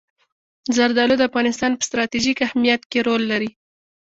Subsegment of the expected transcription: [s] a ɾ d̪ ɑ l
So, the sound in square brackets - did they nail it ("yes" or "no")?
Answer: no